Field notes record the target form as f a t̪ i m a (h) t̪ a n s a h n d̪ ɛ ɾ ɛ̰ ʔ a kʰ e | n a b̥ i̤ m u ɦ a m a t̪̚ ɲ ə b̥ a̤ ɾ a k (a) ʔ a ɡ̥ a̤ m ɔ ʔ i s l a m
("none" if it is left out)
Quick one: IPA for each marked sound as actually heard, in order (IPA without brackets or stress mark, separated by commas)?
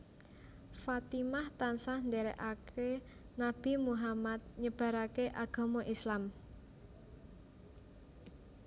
h, e